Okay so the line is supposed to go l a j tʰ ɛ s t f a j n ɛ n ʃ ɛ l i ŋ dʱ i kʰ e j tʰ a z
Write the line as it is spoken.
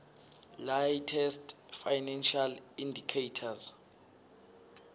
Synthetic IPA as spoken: l a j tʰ ɛ s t f a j n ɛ n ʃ a l i n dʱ i kʰ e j tʰ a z